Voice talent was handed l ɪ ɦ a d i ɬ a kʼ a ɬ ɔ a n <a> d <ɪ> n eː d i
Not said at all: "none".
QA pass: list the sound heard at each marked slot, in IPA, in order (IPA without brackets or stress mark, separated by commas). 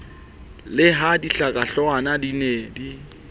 a, i